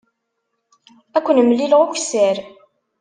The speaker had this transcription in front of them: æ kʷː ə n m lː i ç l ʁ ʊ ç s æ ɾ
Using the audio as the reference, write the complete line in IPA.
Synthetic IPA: æ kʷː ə n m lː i l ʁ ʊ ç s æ ɾ